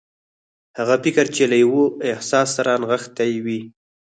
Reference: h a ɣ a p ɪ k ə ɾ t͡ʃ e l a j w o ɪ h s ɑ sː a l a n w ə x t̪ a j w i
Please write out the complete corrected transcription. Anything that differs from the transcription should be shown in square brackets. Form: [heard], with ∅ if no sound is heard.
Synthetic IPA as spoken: h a ɣ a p ɪ k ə ɾ t͡ʃ e l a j w o ɪ h s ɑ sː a [ɾ] a n [ɣ] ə x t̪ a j w i